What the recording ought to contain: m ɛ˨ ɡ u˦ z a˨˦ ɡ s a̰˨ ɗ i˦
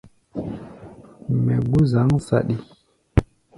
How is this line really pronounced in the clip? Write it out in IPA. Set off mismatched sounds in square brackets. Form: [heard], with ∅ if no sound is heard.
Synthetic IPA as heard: m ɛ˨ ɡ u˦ z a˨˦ [ŋ] s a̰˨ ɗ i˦